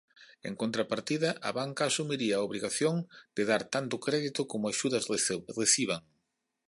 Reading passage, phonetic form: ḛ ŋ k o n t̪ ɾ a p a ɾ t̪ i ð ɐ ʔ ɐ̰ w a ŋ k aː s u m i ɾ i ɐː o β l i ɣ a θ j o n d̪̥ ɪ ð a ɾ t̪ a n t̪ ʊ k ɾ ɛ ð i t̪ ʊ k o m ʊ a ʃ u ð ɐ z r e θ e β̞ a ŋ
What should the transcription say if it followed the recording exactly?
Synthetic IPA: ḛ ŋ k o n t̪ ɾ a p a ɾ t̪ i ð ɐ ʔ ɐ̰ β a ŋ k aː s u m i ɾ i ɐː o β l i ɣ a θ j o ŋ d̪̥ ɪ ð a ɾ t̪ a n t̪ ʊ k ɾ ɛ ð i t̪ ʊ k o m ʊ a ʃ u ð ɐ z r e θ i β̞ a ŋ

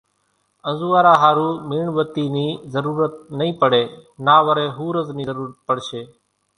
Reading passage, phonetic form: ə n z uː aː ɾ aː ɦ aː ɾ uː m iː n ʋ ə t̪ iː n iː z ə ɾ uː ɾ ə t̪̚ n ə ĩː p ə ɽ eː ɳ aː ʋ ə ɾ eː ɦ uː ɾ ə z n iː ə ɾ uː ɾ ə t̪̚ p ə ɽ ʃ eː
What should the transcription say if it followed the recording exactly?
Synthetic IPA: ə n z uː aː ɾ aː ɦ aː ɾ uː m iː ɳ ʋ ə t̪ iː n iː z ə ɾ uː ɾ ə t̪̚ n ə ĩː p ə ɽ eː n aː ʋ ə ɾ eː ɦ uː ɾ ə z n iː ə ɾ uː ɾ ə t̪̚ p ə ɽ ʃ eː

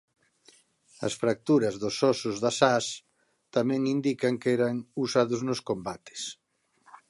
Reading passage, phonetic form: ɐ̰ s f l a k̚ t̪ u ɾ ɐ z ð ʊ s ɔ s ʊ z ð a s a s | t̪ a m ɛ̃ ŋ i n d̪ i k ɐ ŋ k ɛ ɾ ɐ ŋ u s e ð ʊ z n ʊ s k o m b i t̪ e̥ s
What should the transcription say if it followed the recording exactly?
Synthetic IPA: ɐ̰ s f ɾ a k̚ t̪ u ɾ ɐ z ð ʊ s ɔ s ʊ z ð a s a s | t̪ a m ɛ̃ ŋ i n d̪ i k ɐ ŋ k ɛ ɾ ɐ ŋ u s a ð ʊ z n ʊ s k o m b a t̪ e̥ s

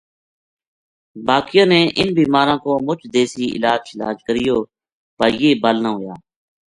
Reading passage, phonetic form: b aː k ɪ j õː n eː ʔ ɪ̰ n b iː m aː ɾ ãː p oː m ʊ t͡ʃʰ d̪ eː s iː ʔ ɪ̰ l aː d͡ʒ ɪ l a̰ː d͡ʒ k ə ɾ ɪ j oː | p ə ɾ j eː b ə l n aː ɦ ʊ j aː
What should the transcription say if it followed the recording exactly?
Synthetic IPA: b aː k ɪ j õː n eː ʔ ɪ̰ n b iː m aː ɾ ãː k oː m ʊ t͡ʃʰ d̪ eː s iː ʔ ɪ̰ l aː d͡ʒ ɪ l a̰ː d͡ʒ k ə ɾ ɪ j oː | p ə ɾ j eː b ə l n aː ɦ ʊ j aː

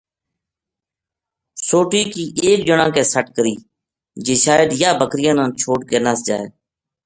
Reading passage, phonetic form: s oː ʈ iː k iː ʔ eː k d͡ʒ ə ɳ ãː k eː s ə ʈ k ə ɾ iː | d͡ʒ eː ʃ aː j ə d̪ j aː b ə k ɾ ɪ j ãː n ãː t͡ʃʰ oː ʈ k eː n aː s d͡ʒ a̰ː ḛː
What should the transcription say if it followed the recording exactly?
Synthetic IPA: s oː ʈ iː k iː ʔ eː k d͡ʒ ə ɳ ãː k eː s ə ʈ k ə ɾ iː | d͡ʒ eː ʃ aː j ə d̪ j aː b ə k ɾ ɪ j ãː n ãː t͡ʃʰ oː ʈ k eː n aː s d͡ʒ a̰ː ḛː

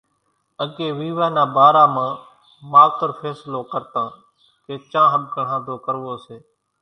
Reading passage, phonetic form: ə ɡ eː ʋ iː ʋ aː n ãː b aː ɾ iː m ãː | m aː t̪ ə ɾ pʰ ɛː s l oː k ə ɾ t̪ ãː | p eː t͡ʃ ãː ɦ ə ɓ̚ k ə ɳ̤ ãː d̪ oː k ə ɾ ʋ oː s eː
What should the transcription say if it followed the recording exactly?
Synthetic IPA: ə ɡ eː ʋ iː ʋ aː n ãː b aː ɾ aː m ãː | m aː t̪ ə ɾ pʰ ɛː s l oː k ə ɾ t̪ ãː | k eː t͡ʃ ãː ɦ ə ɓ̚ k ə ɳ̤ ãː d̪ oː k ə ɾ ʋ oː s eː

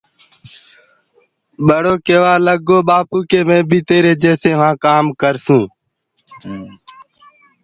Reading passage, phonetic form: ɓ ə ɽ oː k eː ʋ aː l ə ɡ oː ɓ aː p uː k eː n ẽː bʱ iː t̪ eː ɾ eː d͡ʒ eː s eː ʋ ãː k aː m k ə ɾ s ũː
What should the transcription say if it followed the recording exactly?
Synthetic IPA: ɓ ə ɽ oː k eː ʋ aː l ə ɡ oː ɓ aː p uː k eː m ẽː bʱ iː t̪ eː ɾ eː d͡ʒ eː s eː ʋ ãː k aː m k ə ɾ s ũː

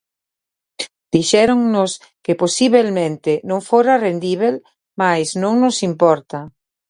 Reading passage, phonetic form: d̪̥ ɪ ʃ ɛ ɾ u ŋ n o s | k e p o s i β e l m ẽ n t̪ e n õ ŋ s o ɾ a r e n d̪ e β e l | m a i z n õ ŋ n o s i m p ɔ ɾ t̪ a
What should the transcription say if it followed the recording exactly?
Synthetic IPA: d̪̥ i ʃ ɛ ɾ o ŋ n o s | k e p o s i β e l m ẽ n t̪ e n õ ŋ f o ɾ a r e n d̪ i β e l | m a j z n õ ŋ n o s i m p ɔ ɾ t̪ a

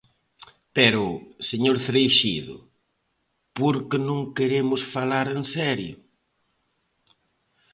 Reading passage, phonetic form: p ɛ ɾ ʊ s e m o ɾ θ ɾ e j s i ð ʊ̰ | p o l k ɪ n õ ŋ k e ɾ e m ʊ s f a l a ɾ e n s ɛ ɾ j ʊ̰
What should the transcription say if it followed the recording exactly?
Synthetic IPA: p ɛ ɾ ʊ s e ɲ o ɾ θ ɾ e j ʃ i ð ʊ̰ | p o ɾ k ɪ n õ ŋ k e ɾ e m ʊ s f a l a ɾ e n s ɛ ɾ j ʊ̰

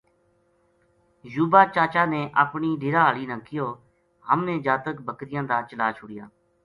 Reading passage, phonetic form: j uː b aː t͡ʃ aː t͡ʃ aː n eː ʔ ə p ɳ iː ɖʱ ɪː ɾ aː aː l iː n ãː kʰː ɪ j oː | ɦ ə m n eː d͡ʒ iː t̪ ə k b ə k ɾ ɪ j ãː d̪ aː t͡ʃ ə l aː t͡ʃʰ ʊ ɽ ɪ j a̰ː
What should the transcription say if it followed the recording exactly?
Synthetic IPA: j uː b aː t͡ʃ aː t͡ʃ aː n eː ʔ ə p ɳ iː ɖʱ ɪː ɾ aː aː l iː n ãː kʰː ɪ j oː | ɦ ə m n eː d͡ʒ aː t̪ ə k b ə k ɾ ɪ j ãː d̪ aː t͡ʃ ə l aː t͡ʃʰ ʊ ɽ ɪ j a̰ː

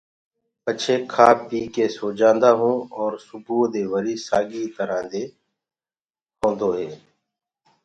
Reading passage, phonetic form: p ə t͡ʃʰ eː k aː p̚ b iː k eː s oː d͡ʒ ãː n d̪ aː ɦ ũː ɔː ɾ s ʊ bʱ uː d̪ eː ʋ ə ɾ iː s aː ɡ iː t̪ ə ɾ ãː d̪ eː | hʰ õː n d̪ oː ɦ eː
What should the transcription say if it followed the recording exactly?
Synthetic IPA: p ə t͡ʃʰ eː kʰ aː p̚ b iː k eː s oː d͡ʒ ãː n d̪ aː ɦ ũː ɔː ɾ s ʊ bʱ uː d̪ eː ʋ ə ɾ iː s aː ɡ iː t̪ ə ɾ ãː d̪ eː | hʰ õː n d̪ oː ɦ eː

